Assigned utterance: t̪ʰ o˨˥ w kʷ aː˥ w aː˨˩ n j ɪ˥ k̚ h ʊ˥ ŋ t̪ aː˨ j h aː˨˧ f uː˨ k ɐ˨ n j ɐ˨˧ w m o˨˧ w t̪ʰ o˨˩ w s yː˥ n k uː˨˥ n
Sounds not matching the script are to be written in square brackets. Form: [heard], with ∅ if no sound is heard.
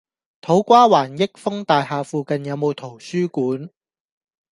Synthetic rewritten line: t̪ʰ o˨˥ w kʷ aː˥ w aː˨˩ n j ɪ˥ k̚ [f] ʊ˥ ŋ t̪ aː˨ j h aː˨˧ f uː˨ k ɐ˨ n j ɐ˨˧ w m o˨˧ w t̪ʰ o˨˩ w s yː˥ [∅] k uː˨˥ n